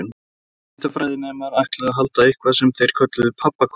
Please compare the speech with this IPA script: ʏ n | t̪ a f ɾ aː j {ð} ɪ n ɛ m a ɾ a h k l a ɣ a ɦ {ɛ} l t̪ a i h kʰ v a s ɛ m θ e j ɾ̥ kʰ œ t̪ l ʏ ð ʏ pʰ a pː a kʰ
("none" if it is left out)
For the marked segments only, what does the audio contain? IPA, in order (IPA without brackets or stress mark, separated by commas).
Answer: ð, a